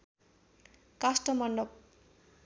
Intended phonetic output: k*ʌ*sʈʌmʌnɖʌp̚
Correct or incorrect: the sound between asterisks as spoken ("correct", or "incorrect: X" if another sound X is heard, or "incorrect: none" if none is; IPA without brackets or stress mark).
incorrect: a